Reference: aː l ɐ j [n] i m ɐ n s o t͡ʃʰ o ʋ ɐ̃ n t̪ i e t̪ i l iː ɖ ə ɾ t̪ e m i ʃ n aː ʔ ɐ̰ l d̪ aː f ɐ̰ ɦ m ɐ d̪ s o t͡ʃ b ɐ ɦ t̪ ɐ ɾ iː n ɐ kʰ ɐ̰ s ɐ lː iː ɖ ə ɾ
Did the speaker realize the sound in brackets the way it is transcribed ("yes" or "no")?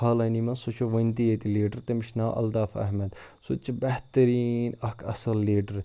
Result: yes